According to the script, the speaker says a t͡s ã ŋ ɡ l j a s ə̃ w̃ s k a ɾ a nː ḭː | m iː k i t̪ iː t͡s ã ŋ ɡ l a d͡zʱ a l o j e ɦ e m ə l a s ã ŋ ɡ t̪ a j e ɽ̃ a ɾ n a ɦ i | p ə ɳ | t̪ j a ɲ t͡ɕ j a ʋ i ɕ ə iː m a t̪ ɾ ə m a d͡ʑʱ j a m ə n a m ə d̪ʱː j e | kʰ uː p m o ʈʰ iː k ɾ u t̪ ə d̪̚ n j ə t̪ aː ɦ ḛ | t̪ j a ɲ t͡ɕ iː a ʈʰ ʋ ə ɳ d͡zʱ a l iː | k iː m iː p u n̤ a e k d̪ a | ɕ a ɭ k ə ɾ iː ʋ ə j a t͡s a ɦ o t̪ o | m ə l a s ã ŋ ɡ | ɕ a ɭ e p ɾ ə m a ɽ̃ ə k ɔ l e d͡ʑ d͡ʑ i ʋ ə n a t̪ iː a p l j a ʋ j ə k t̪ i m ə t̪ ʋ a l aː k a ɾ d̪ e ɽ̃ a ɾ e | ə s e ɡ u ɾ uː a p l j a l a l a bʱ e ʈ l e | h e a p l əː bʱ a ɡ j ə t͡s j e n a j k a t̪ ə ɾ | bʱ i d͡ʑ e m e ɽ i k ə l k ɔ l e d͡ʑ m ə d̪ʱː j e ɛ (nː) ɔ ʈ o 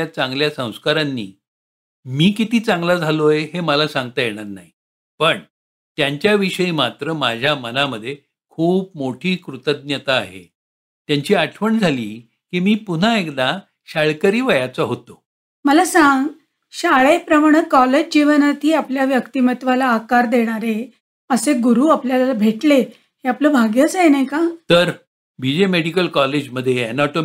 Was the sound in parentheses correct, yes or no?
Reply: no